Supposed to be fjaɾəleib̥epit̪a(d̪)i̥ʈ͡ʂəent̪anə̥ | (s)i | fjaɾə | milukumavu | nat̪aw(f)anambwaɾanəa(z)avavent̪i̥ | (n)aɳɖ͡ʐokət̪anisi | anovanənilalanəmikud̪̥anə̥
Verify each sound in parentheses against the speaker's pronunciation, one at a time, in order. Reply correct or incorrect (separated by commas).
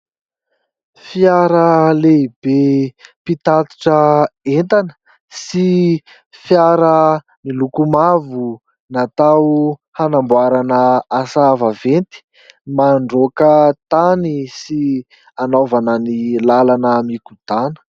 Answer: incorrect, correct, incorrect, incorrect, incorrect